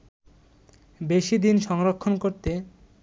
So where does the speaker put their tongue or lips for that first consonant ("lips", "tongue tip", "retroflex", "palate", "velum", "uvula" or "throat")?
lips